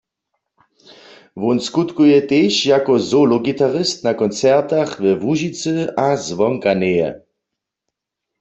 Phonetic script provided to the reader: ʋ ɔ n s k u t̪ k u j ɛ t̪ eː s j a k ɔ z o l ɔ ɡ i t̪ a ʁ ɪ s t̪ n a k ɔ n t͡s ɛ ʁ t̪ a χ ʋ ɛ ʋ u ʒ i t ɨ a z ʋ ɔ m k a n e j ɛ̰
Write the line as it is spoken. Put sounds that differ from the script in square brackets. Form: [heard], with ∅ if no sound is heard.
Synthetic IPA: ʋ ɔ n s k u t̪ k u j ɛ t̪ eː [ʃ] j a k ɔ z o l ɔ ɡ i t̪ a ʁ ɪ s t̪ n a k ɔ n t͡s ɛ ʁ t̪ a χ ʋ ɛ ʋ u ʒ i [t͡s] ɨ a z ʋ ɔ [ŋ] k a n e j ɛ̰